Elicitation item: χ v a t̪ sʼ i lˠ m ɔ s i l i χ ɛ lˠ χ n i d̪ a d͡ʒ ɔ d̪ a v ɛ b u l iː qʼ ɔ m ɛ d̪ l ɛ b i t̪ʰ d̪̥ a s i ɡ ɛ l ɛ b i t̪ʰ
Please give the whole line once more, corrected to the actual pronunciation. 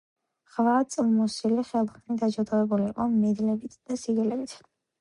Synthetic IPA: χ v a t̪ sʼ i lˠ m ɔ s i l i χ ɛ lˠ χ n i d̪ a d͡ʒ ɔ d̪ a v ɛ b u l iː qʼ ɔ m ɛ d̪ l ɛ b i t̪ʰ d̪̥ a s i ɡ ɛ l ɛ b i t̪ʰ